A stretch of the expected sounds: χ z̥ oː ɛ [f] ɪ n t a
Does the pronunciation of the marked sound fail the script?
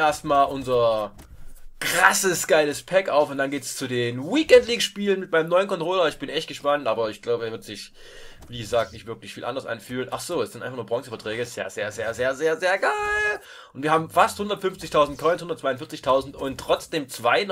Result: yes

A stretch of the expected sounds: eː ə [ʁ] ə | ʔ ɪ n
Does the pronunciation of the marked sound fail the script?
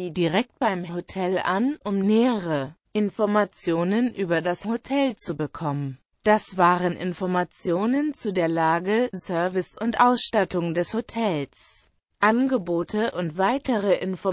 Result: no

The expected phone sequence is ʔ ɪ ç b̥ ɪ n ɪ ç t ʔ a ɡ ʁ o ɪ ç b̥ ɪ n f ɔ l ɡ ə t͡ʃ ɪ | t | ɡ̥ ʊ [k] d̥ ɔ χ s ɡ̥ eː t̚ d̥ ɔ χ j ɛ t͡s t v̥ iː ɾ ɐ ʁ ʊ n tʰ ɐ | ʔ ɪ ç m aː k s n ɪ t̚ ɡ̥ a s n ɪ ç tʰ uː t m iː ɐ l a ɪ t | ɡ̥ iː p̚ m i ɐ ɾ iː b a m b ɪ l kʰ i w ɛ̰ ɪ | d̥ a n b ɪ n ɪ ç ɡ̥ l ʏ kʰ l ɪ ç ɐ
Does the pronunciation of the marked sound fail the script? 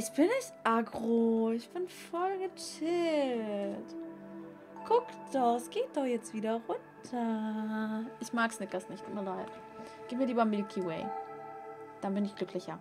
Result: no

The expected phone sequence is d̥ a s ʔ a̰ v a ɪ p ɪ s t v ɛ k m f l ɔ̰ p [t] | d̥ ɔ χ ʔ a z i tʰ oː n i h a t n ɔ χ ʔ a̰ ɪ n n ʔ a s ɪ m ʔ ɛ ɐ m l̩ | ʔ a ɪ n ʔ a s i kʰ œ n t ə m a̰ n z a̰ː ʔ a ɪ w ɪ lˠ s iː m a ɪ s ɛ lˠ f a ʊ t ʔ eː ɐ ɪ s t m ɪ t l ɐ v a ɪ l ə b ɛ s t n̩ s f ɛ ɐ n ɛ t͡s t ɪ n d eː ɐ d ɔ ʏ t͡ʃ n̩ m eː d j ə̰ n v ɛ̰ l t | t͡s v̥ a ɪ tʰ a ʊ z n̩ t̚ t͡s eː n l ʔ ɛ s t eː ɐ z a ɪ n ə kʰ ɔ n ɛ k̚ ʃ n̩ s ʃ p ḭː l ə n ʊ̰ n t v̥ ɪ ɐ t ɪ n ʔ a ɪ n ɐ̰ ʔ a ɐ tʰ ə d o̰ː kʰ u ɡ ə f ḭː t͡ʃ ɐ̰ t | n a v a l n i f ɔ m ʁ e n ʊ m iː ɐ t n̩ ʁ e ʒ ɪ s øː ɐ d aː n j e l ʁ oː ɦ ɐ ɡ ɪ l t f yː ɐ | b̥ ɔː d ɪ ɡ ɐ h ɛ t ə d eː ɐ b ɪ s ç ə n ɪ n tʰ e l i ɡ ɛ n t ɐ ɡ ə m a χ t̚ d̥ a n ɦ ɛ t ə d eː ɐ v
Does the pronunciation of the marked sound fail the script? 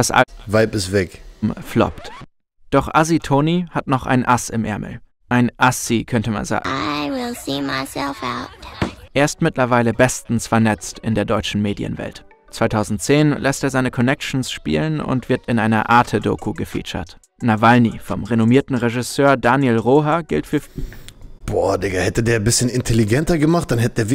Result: no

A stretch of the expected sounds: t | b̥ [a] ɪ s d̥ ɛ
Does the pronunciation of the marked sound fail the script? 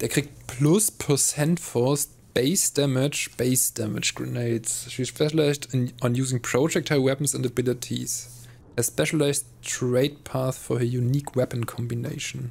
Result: yes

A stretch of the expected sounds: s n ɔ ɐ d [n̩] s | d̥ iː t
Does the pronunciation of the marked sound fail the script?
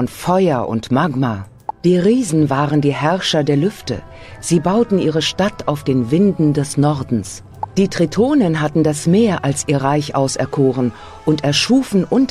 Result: no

